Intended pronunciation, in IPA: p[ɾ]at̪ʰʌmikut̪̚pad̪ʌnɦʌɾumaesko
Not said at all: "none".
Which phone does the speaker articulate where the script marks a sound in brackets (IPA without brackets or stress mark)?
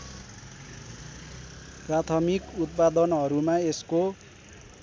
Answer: r